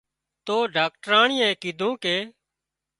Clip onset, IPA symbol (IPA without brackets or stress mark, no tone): t̪